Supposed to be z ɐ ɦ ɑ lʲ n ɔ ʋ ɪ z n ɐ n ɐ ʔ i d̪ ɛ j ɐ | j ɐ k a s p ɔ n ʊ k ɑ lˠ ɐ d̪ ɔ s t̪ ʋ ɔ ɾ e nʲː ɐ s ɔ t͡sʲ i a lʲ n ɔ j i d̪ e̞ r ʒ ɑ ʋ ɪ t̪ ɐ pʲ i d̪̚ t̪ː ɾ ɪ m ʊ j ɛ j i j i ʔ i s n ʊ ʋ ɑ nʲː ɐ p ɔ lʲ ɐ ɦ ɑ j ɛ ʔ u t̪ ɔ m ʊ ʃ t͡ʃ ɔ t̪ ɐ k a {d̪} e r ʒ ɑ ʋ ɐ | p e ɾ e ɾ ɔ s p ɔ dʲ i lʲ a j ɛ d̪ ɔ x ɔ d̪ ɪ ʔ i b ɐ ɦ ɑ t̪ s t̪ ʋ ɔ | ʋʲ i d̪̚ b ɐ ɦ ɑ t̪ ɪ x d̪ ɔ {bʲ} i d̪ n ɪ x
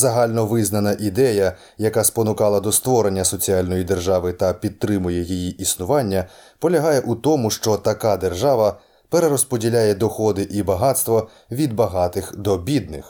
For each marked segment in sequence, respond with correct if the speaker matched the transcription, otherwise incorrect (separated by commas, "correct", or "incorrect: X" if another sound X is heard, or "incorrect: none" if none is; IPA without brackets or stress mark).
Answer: correct, correct